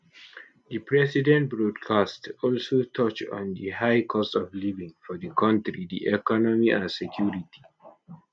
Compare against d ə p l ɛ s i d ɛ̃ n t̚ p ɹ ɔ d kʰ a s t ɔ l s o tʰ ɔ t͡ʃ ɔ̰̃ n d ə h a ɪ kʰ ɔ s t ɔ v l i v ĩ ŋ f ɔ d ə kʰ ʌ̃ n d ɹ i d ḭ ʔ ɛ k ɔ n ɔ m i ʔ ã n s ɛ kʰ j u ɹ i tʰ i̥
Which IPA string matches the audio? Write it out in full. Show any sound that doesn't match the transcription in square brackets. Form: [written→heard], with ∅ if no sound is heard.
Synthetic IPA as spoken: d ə p [l→ɹ] ɛ s i d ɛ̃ n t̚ [p→b] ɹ ɔ d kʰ a s t ɔ l s o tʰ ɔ t͡ʃ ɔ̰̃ n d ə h a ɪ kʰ ɔ s t ɔ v l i v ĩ ŋ f ɔ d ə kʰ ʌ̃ n [d→t] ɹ i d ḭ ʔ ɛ k ɔ n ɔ m i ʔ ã n s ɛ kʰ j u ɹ i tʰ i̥